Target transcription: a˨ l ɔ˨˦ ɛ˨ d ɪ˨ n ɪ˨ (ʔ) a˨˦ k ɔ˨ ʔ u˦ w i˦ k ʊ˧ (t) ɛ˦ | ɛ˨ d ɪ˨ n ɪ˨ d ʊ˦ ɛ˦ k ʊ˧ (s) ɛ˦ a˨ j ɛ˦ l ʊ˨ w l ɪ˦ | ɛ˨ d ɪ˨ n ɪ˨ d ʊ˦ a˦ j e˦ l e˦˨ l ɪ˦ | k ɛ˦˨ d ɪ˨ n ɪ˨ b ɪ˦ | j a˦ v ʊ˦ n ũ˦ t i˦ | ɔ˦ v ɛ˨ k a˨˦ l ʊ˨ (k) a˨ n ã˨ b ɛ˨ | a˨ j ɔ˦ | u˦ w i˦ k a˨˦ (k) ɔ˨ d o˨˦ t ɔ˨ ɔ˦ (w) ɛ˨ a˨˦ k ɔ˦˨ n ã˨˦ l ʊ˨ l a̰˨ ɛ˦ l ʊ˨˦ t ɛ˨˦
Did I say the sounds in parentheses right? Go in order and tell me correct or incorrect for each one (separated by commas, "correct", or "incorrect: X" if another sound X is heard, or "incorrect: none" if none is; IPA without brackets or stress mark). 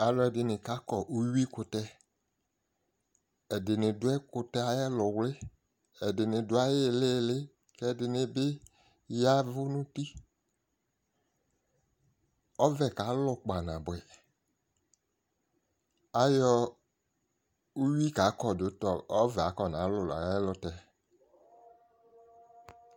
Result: incorrect: k, correct, incorrect: t, incorrect: k͡p, correct, incorrect: v